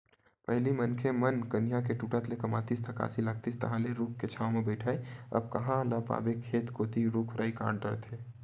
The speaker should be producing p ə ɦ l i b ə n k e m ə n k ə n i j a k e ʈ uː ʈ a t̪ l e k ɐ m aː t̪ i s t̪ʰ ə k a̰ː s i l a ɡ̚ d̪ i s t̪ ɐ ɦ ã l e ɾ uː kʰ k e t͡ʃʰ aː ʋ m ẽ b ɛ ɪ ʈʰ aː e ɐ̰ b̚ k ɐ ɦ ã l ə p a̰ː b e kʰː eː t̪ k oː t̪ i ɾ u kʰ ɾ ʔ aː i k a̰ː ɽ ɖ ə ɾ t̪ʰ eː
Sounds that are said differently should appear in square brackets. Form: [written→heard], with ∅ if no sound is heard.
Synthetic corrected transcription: p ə ɦ l i [b→m] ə n [k→kʰ] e m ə n k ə n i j a k e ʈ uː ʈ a t̪ l e k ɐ m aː t̪ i s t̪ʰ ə k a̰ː s i l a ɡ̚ [d̪→t̪] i s t̪ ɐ ɦ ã l e ɾ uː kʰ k e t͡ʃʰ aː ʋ m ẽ b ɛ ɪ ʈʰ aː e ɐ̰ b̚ k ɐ ɦ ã l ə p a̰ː b e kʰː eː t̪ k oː t̪ i ɾ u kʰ ɾ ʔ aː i k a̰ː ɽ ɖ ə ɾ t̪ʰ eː